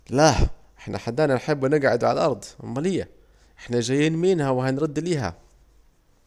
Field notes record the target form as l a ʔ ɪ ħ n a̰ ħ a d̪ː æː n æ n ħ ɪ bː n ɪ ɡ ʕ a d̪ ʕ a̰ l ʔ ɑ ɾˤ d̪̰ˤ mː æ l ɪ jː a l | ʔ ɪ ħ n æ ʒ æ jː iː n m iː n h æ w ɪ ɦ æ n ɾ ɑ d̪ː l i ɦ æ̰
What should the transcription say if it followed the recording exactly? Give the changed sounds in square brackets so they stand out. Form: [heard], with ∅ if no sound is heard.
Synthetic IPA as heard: l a ʔ ɪ ħ n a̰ ħ a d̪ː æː n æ n ħ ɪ bː n ɪ ɡ ʕ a d̪ ʕ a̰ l ʔ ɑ ɾˤ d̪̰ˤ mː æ l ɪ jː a [∅] | ʔ ɪ ħ n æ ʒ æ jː iː n m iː n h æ w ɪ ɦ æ n ɾ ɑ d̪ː l [iː] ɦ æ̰